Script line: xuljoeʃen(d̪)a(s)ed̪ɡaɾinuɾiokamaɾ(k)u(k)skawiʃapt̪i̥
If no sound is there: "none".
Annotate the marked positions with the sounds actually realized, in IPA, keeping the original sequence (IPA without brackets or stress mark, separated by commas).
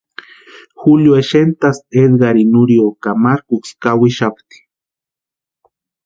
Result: t̪, s, k, k